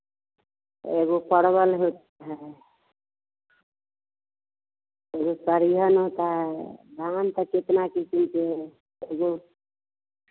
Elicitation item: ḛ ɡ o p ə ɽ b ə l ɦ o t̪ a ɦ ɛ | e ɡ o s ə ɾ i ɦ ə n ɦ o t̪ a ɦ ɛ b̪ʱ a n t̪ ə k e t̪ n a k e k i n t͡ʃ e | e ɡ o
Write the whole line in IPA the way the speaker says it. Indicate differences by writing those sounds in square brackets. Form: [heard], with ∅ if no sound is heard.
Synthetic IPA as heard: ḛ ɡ o p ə ɽ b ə l ɦ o t̪ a ɦ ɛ | e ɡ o s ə ɾ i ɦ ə n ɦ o t̪ a ɦ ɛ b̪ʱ a n t̪ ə k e t̪ n a k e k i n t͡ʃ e | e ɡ o